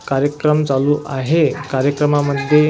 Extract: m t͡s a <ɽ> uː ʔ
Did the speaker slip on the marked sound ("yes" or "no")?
yes